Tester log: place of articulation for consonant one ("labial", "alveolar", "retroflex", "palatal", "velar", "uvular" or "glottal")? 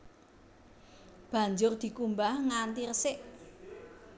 labial